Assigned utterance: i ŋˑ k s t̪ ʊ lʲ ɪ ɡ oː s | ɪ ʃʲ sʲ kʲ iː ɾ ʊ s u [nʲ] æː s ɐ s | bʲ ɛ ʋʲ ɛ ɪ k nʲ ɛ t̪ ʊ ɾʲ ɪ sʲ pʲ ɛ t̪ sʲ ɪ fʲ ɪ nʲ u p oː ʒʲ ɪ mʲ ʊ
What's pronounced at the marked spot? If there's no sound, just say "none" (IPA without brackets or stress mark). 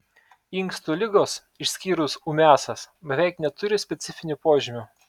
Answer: mʲ